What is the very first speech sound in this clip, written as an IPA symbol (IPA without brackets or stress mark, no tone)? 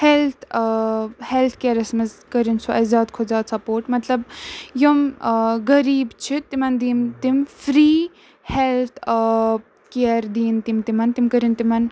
h